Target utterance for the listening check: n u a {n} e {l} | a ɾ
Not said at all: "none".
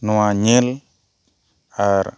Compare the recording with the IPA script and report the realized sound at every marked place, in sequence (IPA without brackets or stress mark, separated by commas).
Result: ɲ, l